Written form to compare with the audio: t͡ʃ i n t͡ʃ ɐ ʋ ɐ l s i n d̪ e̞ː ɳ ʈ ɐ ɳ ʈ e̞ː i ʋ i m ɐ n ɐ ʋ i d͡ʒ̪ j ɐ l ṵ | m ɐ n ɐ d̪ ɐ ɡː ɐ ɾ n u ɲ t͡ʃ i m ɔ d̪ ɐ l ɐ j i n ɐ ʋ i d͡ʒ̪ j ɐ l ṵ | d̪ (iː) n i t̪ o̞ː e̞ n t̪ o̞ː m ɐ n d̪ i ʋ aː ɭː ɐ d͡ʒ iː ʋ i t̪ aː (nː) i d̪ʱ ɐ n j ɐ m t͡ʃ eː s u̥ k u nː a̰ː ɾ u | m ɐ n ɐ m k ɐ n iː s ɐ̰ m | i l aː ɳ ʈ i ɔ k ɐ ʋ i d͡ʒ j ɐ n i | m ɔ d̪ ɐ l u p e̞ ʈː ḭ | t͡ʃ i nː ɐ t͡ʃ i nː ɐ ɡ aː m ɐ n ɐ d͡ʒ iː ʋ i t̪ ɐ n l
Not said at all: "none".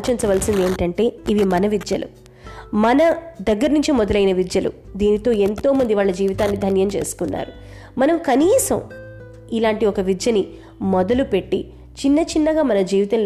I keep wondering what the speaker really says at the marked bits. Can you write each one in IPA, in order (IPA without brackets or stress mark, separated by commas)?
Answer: iː, nː